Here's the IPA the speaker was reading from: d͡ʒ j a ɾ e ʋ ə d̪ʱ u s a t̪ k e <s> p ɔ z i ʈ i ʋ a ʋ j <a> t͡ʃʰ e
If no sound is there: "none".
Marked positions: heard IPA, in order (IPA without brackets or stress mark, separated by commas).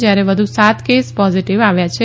s, a